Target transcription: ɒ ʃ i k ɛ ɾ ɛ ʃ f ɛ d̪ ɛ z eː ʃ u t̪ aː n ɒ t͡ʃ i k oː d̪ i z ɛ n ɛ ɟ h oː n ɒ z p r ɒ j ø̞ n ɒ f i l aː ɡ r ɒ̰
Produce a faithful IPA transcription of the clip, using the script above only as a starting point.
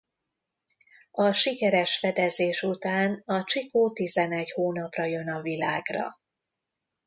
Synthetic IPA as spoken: ɒ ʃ i k ɛ ɾ ɛ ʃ f ɛ d̪ ɛ z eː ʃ u t̪ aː n ɒ t͡ʃ i k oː t̪ i z ɛ n ɛ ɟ h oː n ɒ p r ɒ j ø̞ n ɒ v i l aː ɡ r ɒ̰